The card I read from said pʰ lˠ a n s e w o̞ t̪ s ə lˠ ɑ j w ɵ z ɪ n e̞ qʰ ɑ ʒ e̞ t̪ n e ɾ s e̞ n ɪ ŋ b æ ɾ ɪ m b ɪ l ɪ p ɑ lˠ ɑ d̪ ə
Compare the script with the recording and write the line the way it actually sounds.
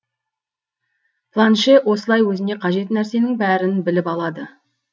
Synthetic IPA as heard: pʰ lˠ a n ʃ e w o̞ s ə lˠ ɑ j w ɵ z ɪ n e̞ qʰ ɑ ʒ e̞ t̪ n æ ɾ s e̞ n ɪ ŋ b æ ɾ ɪ n b ɪ l ɪ p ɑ lˠ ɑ d̪ ə